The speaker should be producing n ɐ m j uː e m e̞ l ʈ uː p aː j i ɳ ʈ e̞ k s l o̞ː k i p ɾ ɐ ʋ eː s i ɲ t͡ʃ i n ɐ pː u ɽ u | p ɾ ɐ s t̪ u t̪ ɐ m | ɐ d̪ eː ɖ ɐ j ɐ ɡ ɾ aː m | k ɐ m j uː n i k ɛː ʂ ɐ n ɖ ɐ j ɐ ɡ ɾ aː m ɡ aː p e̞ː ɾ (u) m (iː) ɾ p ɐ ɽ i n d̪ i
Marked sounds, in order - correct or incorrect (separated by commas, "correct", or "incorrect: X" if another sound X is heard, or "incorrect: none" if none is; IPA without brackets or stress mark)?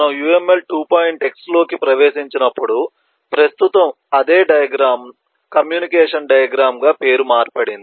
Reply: correct, incorrect: aː